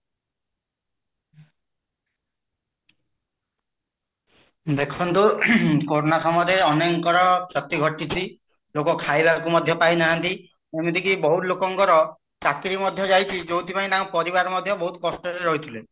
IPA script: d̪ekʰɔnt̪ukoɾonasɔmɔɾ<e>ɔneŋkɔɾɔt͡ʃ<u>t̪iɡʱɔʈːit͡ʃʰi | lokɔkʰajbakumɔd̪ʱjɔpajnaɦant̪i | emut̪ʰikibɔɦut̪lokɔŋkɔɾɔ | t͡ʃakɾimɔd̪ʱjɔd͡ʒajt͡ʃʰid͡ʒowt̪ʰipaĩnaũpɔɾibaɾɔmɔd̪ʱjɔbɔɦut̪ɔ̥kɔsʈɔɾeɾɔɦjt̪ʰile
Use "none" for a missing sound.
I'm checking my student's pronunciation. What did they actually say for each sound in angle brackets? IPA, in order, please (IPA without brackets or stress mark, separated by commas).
e, ɔ